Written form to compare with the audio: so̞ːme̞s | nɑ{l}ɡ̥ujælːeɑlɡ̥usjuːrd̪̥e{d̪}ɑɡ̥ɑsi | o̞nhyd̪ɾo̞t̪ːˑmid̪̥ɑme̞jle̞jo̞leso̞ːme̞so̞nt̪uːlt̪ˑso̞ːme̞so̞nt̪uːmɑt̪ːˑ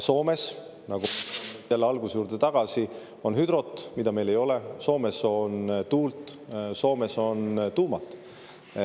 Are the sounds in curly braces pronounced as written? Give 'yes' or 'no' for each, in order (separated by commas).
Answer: no, no